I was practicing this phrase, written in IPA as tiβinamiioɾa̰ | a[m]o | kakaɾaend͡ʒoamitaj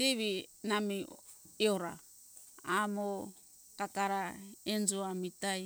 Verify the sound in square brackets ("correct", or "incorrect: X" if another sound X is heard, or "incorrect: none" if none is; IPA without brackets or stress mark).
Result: correct